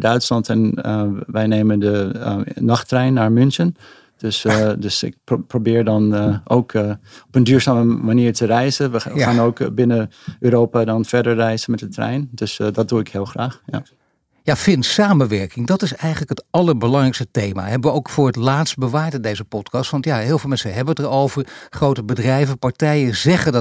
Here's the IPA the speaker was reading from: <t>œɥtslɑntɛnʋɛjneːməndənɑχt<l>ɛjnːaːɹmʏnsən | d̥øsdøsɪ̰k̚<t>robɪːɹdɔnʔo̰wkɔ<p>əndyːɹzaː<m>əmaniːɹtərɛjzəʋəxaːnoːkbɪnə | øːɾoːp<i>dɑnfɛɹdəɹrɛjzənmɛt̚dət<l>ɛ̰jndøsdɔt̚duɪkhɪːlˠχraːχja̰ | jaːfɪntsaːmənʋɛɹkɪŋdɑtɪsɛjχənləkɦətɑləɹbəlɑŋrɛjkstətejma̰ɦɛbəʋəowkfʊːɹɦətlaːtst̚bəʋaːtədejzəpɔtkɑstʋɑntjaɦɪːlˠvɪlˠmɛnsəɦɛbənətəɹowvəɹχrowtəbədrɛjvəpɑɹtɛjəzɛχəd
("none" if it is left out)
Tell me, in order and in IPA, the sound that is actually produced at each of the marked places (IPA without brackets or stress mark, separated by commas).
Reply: d, r, p, p, m, a, r